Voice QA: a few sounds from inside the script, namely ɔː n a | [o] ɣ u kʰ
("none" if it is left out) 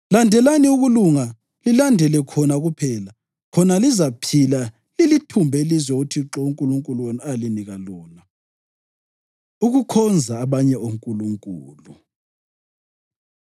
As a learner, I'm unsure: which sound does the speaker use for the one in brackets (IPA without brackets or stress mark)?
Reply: u